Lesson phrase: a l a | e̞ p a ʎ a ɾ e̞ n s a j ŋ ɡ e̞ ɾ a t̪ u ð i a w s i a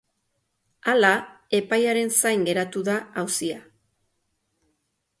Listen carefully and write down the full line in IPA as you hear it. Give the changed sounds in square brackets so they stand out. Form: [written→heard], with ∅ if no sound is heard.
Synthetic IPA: a l a | e̞ p a [ʎ→j] a ɾ e̞ n s a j ŋ ɡ e̞ ɾ a t̪ u ð [i→a] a w s i a